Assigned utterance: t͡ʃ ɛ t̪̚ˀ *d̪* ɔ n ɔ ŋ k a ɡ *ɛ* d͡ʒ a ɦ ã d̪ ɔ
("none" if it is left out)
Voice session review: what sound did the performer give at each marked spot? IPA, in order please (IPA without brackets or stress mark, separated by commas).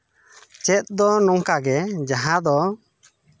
d̪, ɛ